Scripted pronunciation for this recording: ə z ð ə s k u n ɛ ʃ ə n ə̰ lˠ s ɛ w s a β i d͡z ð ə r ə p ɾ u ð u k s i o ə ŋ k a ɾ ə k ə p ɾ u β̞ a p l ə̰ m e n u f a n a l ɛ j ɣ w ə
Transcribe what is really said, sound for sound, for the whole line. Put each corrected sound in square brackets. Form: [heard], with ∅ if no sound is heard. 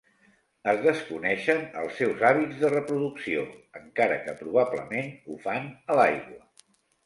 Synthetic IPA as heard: ə z ð ə s k u n ɛ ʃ ə n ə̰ lˠ s ɛ w [z] a β i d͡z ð ə r ə p ɾ u ð u k s i o ə ŋ k a ɾ ə k ə p ɾ u β̞ a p l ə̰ m e n u f a n [ə] l [a] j ɣ w ə